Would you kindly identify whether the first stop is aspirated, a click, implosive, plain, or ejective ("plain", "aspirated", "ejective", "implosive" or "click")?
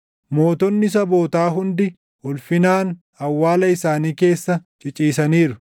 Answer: plain